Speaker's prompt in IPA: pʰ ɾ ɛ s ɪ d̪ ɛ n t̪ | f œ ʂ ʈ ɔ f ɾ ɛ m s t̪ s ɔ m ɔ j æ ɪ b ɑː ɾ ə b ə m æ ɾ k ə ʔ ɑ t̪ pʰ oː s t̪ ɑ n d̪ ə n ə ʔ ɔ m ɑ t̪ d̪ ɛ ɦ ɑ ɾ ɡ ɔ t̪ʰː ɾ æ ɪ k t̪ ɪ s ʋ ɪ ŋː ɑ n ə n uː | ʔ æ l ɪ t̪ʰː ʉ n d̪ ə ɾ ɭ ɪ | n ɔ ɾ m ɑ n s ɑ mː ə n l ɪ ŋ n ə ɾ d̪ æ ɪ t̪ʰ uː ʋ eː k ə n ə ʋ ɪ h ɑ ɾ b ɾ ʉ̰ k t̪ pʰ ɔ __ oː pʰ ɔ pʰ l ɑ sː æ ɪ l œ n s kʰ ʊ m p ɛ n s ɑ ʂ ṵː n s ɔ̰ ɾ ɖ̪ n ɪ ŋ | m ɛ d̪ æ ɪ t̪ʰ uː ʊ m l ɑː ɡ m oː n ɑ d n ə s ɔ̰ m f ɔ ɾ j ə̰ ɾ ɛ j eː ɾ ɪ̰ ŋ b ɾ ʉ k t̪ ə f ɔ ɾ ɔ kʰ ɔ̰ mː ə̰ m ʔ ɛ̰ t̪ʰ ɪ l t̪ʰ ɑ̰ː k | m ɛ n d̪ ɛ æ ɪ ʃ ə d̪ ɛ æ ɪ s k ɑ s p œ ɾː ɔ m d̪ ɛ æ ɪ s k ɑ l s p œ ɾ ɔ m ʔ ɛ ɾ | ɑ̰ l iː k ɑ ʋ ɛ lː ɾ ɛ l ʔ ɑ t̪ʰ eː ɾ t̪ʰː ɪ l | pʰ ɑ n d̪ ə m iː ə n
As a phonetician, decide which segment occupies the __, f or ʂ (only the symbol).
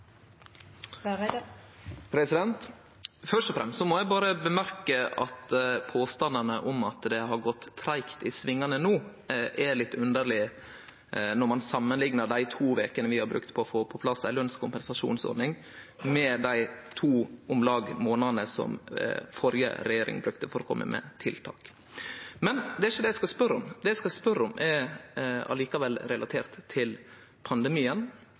f